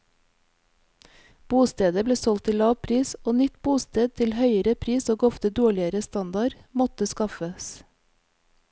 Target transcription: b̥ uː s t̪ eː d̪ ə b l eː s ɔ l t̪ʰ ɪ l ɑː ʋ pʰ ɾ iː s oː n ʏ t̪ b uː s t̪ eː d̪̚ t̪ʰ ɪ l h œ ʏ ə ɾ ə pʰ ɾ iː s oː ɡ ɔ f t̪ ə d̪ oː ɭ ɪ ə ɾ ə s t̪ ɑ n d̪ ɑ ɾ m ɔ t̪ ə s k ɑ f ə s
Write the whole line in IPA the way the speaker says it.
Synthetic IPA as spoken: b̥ uː s t̪ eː d̪ ə b l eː s ɔ l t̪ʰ ɪ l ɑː ʋ pʰ ɾ iː s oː n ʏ t̪ b uː s t̪ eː d̪̚ t̪ʰ ɪ l h œ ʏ ə ɾ ə pʰ ɾ iː s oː ɡ ɔ f t̪ ə d̪ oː ɭ ɪ ə ɾ ə s t̪ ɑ n d̪ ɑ ɾ m ɔ t̪ ə s k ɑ f ə s

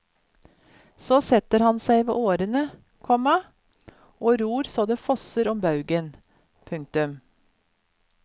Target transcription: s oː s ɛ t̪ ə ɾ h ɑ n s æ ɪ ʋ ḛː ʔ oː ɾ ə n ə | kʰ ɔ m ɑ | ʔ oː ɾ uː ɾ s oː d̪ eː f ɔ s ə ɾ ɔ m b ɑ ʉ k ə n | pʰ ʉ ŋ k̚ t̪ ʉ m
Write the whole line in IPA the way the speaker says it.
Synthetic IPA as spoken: s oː s ɛ t̪ ə ɾ h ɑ n s æ ɪ ʋ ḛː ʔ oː ɾ ə n ə | kʰ ɔ m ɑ | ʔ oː ɾ uː ɾ s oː d̪ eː f ɔ s ə ɾ ɔ m b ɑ ʉ ɡ ə n | pʰ ʉ ŋ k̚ t̪ ʉ m

